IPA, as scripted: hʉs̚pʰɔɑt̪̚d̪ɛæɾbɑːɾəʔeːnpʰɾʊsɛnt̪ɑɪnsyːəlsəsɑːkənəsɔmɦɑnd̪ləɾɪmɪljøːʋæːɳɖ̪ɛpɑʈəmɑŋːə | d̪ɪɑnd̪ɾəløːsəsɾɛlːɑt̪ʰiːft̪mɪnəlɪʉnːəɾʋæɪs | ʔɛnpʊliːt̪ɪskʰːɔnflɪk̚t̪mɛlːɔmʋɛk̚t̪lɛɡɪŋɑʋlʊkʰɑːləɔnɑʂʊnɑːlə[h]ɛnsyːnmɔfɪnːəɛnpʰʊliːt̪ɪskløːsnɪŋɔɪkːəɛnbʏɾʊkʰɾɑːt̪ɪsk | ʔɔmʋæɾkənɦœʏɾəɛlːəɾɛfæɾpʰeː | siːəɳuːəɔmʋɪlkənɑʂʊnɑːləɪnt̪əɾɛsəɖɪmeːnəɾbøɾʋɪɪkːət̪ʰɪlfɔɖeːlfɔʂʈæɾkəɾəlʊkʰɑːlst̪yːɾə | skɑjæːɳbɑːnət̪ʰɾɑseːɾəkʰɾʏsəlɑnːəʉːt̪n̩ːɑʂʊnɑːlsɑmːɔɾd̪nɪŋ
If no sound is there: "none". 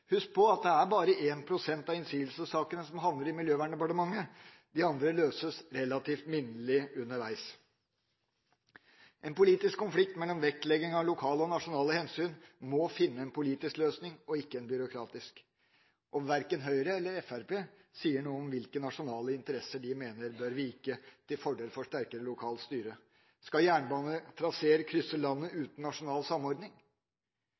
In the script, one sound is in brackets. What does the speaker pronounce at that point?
h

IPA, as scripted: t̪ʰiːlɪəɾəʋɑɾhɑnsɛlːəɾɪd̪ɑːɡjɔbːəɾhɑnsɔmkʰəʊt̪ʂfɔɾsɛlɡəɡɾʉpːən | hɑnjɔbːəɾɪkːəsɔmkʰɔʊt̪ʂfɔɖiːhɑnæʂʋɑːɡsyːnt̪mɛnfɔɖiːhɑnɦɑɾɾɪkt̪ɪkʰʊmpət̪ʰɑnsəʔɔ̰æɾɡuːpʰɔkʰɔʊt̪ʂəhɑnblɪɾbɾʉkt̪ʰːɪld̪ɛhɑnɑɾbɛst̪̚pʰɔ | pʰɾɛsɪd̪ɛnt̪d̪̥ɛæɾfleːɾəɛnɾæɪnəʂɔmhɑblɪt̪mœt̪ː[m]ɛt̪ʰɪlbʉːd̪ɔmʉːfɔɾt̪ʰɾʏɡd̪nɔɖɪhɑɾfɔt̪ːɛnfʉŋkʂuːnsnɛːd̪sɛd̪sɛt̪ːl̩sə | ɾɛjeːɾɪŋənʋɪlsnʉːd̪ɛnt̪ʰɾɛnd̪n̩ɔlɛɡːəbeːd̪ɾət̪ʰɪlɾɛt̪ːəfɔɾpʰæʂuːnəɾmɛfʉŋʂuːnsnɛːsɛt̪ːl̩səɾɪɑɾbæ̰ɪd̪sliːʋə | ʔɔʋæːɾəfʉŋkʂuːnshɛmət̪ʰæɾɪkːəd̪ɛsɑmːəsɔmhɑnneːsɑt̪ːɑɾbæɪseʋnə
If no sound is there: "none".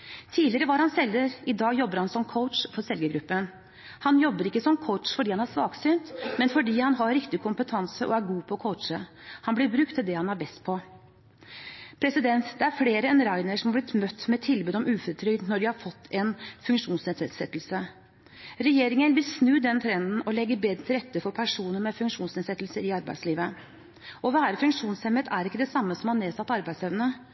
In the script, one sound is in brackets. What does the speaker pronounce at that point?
m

